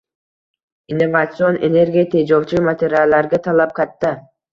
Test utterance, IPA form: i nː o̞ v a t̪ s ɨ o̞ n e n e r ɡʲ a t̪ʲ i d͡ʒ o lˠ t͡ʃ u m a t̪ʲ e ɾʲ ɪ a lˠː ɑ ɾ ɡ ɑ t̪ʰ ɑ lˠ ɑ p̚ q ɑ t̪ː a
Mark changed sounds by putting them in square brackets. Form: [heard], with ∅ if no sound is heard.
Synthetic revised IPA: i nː o̞ v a t̪ s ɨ o̞ n e n e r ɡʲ [e] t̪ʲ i d͡ʒ o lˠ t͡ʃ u m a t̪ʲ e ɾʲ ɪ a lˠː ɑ ɾ ɡ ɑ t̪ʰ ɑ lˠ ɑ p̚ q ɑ t̪ː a

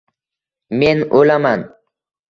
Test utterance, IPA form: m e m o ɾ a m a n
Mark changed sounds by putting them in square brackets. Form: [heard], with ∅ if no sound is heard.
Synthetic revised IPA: m e [n] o [l] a m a n

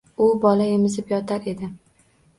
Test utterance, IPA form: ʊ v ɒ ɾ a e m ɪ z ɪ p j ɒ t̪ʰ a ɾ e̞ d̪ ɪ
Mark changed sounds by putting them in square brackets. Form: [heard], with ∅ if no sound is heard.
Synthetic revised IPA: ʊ [b] ɒ [l] a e m ɪ z ɪ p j ɒ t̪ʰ a ɾ e̞ d̪ ɪ

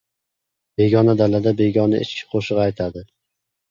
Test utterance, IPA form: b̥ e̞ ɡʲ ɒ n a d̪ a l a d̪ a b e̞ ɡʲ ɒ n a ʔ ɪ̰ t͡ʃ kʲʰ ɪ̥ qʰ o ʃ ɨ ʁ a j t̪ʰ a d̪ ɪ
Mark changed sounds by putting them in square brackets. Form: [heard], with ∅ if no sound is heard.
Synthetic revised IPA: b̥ e̞ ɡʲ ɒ n a d̪ a l a d̪ a b e̞ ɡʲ ɒ n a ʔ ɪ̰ t͡ʃ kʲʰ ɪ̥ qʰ o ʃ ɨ ʁ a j t̪ʰ a d̪ ɪ

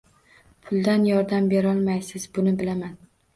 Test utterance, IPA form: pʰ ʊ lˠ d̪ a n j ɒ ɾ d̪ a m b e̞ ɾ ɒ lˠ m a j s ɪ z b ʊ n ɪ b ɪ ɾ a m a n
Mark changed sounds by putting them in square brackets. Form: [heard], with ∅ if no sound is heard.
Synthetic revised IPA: pʰ ʊ lˠ d̪ a n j ɒ ɾ d̪ a m b e̞ ɾ ɒ lˠ m a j s ɪ z b ʊ n ɪ b ɪ [l] a m a n

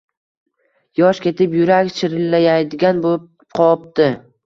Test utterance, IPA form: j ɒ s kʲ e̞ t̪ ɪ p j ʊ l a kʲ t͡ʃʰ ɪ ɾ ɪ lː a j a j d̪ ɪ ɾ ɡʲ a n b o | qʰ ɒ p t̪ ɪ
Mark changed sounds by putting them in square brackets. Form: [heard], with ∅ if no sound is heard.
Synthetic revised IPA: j ɒ [ʃ] kʲ e̞ t̪ ɪ p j ʊ [ɾ] a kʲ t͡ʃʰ ɪ ɾ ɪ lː a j a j d̪ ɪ [∅] ɡʲ a n b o | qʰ ɒ p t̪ ɪ

